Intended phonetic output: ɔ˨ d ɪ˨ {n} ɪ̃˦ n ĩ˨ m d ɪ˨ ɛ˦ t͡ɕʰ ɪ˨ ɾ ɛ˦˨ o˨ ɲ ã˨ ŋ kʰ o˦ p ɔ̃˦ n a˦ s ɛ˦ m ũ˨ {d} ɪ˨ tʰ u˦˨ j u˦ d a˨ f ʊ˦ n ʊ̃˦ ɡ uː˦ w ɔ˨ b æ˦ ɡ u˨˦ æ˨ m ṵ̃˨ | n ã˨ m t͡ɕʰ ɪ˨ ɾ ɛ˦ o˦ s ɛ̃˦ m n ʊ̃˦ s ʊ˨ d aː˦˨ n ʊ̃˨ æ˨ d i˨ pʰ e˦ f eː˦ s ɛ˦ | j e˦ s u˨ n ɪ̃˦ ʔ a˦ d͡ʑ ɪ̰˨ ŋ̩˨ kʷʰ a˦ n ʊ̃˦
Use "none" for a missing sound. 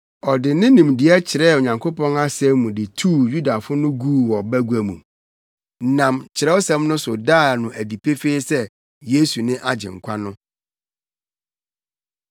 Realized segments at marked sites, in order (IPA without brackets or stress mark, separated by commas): n, d